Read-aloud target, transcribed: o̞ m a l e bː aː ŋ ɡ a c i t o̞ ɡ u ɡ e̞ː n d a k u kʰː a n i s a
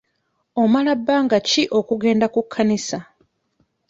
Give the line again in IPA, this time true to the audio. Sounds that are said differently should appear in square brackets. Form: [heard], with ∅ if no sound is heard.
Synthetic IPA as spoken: o̞ m a l [a] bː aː ŋ ɡ a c i [ʔ] o̞ [k] u ɡ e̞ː n d a k u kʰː a n i s a